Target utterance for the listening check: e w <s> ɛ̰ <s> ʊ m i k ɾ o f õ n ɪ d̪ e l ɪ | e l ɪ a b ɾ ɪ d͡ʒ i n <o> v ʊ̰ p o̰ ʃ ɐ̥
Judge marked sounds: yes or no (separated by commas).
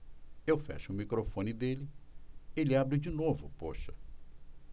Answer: no, no, yes